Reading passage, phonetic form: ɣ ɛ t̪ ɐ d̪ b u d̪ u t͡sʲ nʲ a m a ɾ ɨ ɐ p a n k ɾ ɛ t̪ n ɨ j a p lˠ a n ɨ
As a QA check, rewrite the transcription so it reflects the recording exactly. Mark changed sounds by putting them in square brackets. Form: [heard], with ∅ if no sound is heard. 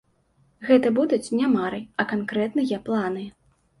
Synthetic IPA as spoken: ɣ ɛ t̪ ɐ [∅] b u d̪ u t͡sʲ nʲ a m a ɾ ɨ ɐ [k] a n k ɾ ɛ t̪ n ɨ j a p lˠ a n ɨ